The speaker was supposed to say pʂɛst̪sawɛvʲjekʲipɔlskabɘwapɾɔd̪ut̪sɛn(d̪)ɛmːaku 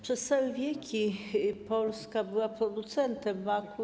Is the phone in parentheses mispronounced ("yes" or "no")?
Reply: yes